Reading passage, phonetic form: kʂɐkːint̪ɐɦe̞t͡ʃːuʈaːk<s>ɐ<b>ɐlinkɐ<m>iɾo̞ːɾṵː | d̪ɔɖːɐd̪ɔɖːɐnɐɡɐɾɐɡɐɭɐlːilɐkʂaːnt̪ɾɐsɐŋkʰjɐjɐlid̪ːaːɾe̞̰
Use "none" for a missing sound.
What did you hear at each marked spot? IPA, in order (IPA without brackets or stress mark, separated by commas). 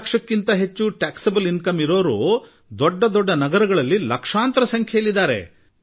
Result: s, b, m